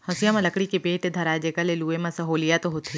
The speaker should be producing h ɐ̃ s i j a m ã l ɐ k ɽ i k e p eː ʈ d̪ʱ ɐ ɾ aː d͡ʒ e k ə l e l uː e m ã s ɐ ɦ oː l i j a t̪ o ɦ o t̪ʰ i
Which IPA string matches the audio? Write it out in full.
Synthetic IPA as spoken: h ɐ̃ s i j a m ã l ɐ k ɽ i k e p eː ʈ d̪ʱ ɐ ɾ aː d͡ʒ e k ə l e l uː e m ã s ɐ ɦ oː l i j a t̪ o ɦ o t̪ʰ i